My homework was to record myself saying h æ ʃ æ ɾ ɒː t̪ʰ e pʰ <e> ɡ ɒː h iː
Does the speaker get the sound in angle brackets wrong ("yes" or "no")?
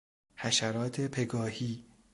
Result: no